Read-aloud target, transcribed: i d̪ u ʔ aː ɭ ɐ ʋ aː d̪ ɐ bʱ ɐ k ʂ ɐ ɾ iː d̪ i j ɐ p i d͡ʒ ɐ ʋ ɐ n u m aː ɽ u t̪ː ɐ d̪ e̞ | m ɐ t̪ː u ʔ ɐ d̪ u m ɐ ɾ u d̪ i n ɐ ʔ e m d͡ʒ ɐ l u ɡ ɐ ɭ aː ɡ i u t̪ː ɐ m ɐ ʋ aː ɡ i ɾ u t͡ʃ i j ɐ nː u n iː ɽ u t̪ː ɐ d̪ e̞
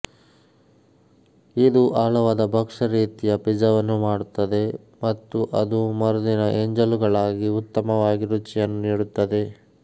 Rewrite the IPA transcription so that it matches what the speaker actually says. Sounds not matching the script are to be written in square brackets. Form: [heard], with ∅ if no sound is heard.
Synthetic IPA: i d̪ u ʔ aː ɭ ɐ ʋ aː d̪ ɐ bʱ ɐ k ʂ ɐ ɾ iː [t̪] i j ɐ p i d͡ʒ ɐ ʋ ɐ [nː] u m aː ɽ u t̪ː ɐ d̪ e̞ | m ɐ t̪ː u ʔ ɐ d̪ u m ɐ ɾ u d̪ i n ɐ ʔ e [ɲ] d͡ʒ ɐ l u ɡ ɐ ɭ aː ɡ i u t̪ː ɐ m ɐ ʋ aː ɡ i ɾ u t͡ʃ i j ɐ nː u n iː ɽ u t̪ː ɐ d̪ e̞